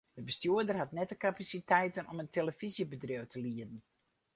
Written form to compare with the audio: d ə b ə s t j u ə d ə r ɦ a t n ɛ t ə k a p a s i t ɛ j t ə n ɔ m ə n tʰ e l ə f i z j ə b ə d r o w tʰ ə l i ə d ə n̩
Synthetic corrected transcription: d ə b ə s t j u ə d ə r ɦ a t n ɛ t ə k a p a s i t ɛ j t ə n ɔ m ə n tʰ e l ə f i z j ə b ə d r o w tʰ ə l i ə d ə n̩